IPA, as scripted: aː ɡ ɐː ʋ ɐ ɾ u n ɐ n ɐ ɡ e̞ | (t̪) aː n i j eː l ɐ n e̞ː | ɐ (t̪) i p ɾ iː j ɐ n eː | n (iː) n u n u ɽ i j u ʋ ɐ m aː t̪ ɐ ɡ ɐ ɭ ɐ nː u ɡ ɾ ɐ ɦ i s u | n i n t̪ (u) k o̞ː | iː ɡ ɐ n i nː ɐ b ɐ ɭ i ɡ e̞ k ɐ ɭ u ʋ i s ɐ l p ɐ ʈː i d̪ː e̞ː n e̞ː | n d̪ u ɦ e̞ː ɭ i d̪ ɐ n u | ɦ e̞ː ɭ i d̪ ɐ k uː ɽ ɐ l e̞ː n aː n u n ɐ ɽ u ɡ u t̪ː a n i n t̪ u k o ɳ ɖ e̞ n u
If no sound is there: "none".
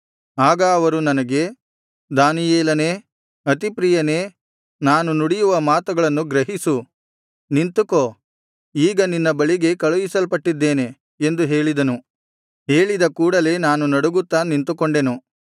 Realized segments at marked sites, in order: d̪, t̪, aː, u

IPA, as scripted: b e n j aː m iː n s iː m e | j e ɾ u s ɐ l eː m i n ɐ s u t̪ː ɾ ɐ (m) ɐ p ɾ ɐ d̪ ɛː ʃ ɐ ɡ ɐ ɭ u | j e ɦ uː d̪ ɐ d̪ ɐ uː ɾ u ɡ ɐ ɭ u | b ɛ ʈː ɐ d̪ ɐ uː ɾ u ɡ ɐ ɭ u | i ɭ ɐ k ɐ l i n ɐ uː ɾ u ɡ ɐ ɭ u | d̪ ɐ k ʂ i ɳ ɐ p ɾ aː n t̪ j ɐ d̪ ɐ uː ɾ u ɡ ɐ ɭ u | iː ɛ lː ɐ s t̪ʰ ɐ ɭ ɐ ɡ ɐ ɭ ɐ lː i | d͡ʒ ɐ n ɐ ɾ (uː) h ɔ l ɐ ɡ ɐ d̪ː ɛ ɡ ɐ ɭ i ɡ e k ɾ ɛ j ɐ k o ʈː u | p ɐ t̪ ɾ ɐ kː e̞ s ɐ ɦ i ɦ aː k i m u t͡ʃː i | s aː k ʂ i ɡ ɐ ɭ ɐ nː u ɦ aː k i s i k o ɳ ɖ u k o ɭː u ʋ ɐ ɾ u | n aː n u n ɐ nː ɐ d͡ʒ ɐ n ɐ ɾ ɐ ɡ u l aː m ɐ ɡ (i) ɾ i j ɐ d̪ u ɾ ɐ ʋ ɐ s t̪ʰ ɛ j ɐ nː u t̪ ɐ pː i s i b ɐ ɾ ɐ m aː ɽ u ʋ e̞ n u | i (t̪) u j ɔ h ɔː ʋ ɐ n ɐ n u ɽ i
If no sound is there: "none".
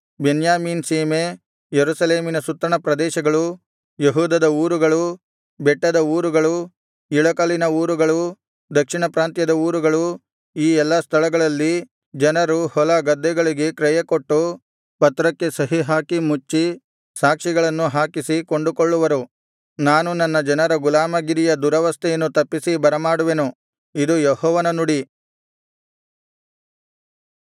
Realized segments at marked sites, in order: ɳ, u, i, d̪

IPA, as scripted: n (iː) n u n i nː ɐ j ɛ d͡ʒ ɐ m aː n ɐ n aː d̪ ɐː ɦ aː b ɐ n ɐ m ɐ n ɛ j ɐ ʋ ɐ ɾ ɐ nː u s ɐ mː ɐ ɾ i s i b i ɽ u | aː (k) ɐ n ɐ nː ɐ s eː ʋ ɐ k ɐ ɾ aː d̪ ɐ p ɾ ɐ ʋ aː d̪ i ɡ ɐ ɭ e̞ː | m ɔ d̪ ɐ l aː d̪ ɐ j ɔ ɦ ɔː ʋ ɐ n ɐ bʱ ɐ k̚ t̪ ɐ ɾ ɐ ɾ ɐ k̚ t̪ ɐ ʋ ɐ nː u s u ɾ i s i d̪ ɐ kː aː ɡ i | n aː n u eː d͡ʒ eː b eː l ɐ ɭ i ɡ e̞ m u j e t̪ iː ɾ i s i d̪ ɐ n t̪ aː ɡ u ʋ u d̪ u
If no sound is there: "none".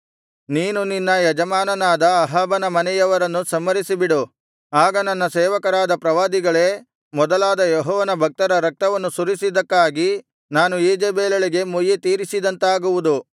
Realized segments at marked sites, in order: iː, ɡ

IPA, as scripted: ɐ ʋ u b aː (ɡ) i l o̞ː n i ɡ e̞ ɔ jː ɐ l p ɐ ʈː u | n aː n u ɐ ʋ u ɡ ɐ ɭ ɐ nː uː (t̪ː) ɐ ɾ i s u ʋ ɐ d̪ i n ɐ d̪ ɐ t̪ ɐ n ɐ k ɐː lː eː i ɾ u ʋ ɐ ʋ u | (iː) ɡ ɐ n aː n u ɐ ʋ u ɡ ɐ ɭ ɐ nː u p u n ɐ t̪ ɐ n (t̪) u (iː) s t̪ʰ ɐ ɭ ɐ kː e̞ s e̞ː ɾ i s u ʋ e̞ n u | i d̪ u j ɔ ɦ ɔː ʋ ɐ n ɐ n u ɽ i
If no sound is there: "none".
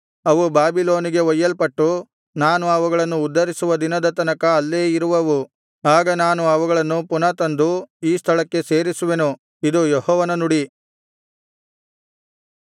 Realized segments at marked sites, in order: b, d̪ː, aː, d̪, iː

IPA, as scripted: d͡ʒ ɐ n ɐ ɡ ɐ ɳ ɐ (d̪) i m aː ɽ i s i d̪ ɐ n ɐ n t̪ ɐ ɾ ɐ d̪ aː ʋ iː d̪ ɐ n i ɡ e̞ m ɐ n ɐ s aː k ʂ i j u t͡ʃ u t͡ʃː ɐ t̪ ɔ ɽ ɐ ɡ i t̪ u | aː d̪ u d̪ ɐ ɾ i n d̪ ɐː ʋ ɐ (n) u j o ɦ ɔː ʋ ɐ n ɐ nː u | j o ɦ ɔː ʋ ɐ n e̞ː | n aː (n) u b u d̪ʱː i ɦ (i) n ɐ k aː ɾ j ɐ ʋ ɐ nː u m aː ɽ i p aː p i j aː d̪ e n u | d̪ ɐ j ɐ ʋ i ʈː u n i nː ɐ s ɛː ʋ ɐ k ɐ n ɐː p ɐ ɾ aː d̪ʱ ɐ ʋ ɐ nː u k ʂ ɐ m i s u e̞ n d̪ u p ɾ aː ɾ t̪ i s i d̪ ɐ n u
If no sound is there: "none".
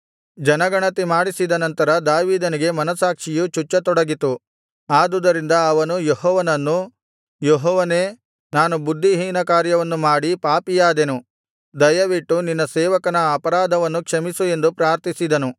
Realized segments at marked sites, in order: t̪, n, n, iː

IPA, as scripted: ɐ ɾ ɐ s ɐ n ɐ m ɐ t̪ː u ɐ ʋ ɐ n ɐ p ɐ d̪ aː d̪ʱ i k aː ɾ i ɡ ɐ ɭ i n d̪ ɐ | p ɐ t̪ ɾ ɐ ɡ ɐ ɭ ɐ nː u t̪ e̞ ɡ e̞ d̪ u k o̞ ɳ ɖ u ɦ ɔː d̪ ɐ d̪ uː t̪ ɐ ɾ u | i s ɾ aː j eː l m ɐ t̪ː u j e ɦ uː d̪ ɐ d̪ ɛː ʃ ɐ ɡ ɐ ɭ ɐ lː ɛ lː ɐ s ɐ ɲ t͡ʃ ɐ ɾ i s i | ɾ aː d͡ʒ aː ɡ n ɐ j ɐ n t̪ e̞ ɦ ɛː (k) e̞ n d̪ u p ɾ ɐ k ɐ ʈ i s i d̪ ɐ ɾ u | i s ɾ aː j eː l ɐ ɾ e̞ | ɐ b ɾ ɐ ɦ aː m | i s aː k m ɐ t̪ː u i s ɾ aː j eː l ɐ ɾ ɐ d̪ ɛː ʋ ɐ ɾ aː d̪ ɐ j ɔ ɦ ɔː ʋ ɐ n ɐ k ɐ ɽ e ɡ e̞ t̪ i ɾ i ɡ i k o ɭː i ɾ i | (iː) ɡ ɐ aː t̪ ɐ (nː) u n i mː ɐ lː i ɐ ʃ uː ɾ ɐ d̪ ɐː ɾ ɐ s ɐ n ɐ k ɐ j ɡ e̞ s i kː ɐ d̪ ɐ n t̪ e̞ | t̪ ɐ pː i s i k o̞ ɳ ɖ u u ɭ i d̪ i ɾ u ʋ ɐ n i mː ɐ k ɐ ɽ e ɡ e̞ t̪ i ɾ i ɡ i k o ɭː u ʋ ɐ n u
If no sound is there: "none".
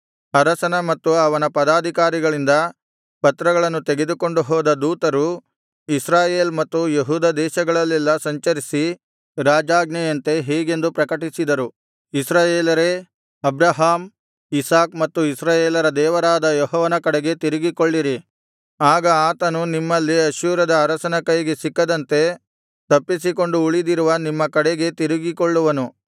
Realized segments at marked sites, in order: ɡ, aː, n

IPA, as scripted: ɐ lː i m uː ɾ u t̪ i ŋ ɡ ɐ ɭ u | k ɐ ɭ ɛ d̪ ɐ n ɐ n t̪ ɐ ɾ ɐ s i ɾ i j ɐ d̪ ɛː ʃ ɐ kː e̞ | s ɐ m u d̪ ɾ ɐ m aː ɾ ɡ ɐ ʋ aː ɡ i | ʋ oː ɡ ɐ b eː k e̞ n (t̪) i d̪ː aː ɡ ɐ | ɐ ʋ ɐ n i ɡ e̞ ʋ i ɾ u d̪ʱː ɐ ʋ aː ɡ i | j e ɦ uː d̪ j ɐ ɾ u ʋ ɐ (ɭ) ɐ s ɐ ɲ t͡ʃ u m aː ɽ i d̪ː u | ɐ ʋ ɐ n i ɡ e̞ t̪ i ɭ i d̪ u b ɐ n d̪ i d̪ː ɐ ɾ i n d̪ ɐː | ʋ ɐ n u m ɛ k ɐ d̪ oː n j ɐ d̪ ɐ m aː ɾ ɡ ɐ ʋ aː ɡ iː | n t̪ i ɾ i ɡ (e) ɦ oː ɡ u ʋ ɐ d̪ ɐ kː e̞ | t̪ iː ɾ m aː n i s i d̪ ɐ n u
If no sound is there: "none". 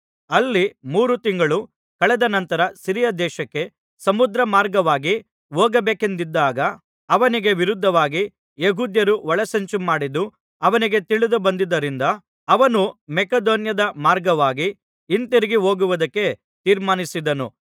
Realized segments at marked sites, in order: d̪, ɭ, i

